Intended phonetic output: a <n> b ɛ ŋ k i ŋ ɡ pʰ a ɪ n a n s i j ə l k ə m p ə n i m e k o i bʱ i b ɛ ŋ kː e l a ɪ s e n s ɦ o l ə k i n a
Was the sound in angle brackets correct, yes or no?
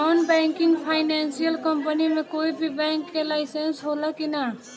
yes